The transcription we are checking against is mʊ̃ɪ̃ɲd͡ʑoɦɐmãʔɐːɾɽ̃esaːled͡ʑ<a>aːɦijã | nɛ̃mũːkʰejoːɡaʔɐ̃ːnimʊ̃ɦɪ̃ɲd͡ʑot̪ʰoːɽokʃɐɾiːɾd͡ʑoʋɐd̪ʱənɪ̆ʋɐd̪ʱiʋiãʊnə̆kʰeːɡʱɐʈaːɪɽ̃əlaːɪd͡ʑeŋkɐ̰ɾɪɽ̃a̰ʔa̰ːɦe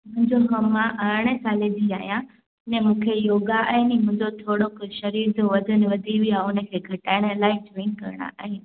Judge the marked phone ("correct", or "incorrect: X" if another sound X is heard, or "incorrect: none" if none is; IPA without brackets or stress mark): incorrect: i